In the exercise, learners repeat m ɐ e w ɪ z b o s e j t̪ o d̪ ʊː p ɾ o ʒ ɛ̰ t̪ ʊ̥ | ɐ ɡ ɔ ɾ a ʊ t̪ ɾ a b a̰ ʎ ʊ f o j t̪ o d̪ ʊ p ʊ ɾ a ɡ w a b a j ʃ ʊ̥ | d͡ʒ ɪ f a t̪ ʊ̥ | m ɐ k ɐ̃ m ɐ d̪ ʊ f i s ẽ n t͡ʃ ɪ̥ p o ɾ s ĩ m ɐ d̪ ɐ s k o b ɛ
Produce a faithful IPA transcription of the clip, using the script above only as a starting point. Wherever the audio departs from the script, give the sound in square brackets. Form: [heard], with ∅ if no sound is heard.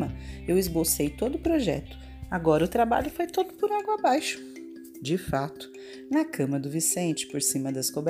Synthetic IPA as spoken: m ɐ e w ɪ z b o s e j t̪ o d̪ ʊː p ɾ o ʒ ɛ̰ t̪ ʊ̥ | [a] ɡ ɔ ɾ [ɐ] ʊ t̪ ɾ a b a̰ ʎ ʊ f o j t̪ o d̪ ʊ p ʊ ɾ a ɡ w a b a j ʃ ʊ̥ | d͡ʒ ɪ f a t̪ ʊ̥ | [n] ɐ k ɐ̃ m ɐ d̪ ʊ [v] i s ẽ n t͡ʃ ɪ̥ p o ɾ s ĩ m ɐ d̪ ɐ s k o b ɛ